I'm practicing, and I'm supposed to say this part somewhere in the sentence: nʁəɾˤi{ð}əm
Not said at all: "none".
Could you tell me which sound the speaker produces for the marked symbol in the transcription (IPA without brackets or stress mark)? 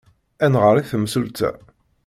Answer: θ